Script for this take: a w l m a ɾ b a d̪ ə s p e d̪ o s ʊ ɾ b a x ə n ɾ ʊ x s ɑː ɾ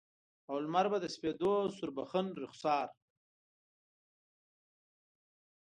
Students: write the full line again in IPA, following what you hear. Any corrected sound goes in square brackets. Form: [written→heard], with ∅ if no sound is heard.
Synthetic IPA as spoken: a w l m a ɾ b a d̪ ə s p e d̪ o s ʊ ɾ b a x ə n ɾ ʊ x s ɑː ɾ